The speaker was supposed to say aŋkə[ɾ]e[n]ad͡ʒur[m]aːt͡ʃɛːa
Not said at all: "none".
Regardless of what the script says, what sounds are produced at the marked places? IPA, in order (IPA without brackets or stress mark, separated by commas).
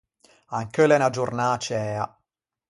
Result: l, n, n